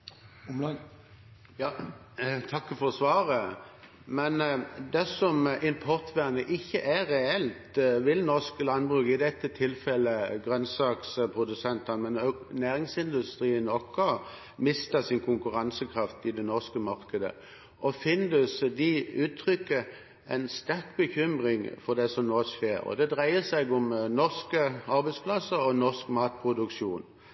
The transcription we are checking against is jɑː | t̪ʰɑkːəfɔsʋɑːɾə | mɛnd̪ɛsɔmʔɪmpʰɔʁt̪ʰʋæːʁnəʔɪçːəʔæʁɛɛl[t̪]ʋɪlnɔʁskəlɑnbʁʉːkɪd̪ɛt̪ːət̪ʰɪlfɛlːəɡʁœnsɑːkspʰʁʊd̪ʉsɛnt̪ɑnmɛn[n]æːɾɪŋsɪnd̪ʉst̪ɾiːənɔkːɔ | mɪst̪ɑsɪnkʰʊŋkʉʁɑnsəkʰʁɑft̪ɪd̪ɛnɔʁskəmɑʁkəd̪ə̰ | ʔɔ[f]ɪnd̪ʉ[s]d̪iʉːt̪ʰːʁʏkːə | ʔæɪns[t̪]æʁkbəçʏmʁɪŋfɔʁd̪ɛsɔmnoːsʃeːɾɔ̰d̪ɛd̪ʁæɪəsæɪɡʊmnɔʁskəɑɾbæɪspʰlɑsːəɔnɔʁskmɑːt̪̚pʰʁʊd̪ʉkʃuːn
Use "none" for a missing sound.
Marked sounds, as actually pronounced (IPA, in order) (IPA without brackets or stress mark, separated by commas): t̪, n, f, s, t̪